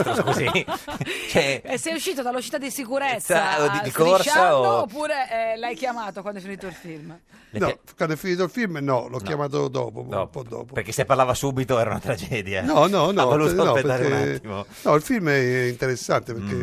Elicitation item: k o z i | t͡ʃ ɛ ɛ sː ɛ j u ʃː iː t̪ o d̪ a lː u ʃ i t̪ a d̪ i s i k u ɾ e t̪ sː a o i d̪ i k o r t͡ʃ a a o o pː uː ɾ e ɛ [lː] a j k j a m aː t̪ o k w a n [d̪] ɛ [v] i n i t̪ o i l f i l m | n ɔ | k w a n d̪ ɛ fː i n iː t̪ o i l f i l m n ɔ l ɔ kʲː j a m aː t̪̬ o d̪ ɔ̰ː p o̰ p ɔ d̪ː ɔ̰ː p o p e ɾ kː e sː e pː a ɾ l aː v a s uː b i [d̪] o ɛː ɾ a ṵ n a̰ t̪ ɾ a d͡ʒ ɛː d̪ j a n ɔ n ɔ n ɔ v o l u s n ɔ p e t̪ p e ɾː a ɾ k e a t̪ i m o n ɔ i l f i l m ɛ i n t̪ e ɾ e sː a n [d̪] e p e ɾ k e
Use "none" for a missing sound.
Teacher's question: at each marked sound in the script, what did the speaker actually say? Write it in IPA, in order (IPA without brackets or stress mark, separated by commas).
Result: l, d̪, f, t̪, t̪